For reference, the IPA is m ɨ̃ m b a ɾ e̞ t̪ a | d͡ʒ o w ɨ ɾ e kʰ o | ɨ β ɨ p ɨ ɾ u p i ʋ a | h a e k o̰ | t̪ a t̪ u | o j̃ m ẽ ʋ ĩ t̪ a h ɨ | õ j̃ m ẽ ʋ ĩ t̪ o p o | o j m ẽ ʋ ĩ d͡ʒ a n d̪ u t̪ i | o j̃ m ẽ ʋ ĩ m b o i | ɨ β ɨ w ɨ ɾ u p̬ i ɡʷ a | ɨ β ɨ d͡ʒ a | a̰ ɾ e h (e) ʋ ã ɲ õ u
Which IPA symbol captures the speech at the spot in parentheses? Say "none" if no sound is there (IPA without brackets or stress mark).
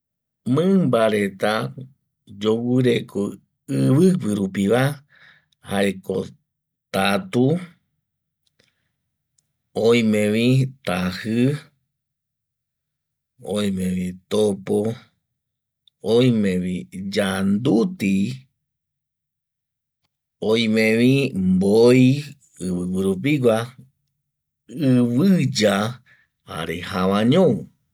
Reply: a